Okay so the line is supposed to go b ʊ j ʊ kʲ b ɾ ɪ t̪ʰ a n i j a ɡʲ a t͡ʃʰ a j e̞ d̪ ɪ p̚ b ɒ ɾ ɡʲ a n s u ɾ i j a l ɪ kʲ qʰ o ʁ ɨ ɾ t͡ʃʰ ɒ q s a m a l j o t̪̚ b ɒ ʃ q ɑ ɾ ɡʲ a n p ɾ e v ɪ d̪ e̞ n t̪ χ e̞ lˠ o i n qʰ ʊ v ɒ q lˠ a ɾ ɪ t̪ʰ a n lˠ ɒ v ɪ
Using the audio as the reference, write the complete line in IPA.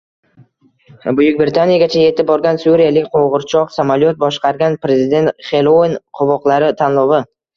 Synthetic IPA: b ʊ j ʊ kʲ b ɾ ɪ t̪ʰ a n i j a ɡʲ a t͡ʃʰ a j e̞ t̪ ɪ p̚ b ɒ ɾ ɡʲ a n s u ɾ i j a l ɪ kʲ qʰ o ʁ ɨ ɾ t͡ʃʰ ɒ q s a m a l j o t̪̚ b ɒ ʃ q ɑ ɾ ɡʲ a n p ɾ e z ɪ d̪ e̞ n t̪ χ e̞ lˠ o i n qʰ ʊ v ɒ q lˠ a ɾ ɪ t̪ʰ a n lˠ ɒ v ɪ

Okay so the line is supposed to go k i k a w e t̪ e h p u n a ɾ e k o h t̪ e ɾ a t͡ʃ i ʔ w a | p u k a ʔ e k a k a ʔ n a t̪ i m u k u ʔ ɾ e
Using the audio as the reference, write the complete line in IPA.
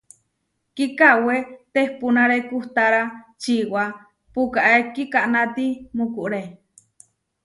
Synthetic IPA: k i k a w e t̪ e h p u n a ɾ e k u h t̪ a ɾ a t͡ʃ i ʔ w a | p u k a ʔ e k i k a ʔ n a t̪ i m u k u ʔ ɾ e

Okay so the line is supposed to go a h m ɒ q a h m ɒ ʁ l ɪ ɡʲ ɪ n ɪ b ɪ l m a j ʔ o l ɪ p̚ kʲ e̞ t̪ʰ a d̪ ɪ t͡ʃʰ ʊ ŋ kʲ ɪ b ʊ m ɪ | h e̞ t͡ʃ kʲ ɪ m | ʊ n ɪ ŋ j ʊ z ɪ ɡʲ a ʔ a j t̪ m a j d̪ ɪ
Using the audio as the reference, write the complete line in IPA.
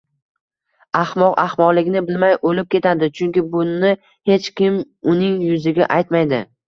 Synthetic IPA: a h m ɒ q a h m ɒ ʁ l ɪ ɡʲ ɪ n ɪ b ɪ l m a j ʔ o l ɪ p̚ kʲ e̞ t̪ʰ a d̪ ɪ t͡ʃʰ ʊ ŋ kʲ ɪ b ʊ n ɪ | h e̞ t͡ʃ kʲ ɪ m | ʊ n ɪ ŋ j ʊ z ɪ ɡʲ a ʔ a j t̪ m a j d̪ ɪ

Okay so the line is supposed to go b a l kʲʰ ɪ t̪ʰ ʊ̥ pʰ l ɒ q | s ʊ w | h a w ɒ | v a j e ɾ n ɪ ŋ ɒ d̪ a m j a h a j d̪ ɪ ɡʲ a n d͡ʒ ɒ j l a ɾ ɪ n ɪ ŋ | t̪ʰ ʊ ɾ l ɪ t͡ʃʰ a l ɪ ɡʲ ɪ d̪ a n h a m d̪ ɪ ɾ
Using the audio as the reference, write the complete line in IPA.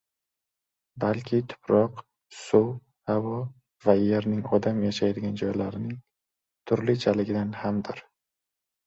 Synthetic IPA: b a l kʲʰ ɪ t̪ʰ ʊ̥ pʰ ɾ ɒ q | s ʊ w | h a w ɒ | v a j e ɾ n ɪ ŋ ɒ d̪ a m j a ʃ a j d̪ ɪ ɡʲ a n d͡ʒ ɒ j l a ɾ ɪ n ɪ ŋ | t̪ʰ ʊ ɾ l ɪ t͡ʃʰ a l ɪ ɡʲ ɪ d̪ a n h a m d̪ ɪ ɾ

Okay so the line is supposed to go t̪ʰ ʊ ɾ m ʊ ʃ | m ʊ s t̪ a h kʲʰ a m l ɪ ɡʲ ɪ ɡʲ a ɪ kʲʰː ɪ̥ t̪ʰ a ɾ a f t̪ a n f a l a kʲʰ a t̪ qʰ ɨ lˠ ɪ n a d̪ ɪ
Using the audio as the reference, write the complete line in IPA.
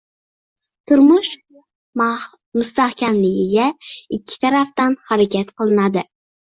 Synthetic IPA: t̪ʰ ʊ ɾ m ʊ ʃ | m ʊ s t̪ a h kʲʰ a m l ɪ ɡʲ ɪ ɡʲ a ɪ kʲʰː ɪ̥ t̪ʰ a ɾ a f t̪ a n h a ɾ a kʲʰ a t̪ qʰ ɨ lˠ ɪ n a d̪ ɪ

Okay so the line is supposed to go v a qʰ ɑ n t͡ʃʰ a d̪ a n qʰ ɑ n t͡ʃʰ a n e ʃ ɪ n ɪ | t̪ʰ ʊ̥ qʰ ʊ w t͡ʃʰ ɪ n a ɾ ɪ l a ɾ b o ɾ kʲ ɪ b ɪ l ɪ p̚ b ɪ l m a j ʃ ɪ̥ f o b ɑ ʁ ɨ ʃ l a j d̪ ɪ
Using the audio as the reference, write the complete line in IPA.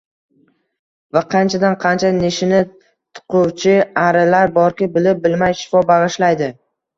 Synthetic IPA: v a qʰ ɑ n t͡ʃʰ a d̪ a n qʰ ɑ n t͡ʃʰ a n e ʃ ɪ n ɪ | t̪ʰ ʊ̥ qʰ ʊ w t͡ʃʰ ɪ a ɾ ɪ l a ɾ b ɒ ɾ kʲ ɪ b ɪ l ɪ p̚ b ɪ l m a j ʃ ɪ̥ f ɒ b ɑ ʁ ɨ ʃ l a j d̪ ɪ

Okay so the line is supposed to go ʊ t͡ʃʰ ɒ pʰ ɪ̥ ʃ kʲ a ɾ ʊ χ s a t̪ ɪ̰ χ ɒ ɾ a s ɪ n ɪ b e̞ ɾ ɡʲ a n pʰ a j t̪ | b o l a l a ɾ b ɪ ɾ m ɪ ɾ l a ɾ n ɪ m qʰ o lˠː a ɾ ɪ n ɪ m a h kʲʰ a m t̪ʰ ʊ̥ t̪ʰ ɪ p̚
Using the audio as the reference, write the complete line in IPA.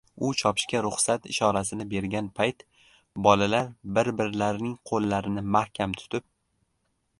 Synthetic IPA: ʊ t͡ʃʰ ɒ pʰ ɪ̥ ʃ kʲ a ɾ ʊ χ s a t̪ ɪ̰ ʃ ɒ ɾ a s ɪ n ɪ b e̞ ɾ ɡʲ a n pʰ a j t̪ | b ɒ l a l a ɾ b ɪ ɾ b ɪ ɾ l a ɾ n ɪ ŋ qʰ o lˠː a ɾ ɪ n ɪ m a h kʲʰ a m t̪ʰ ʊ̥ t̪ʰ ɪ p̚

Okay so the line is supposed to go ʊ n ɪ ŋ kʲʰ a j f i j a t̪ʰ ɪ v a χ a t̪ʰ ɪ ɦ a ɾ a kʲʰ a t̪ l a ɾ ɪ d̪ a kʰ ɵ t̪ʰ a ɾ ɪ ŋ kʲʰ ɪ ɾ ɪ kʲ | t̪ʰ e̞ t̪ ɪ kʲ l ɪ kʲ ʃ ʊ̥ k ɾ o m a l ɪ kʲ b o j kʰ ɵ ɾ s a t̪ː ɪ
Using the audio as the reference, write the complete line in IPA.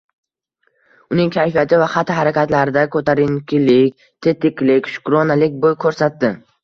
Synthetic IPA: ʊ n ɪ ŋ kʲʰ a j f i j a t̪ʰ ɪ v a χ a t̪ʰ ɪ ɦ a ɾ a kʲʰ a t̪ l a ɾ ɪ d̪ a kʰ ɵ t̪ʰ a ɾ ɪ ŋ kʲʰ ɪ l ɪ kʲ | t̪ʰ e̞ t̪ ɪ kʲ l ɪ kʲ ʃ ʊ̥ k ɾ o n a l ɪ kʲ b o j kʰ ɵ ɾ s a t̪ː ɪ

